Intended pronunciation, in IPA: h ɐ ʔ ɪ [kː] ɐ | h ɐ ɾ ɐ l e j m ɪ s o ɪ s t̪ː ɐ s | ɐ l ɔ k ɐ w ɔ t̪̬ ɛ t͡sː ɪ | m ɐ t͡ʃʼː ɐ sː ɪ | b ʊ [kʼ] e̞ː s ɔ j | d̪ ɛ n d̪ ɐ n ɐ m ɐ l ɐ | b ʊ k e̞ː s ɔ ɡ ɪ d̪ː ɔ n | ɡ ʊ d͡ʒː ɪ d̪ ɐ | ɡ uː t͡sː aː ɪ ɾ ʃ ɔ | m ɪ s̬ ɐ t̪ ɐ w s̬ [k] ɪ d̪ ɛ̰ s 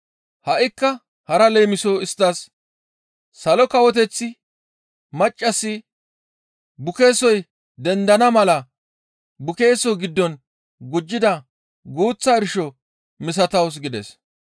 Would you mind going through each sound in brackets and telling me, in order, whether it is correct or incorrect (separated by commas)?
correct, incorrect, incorrect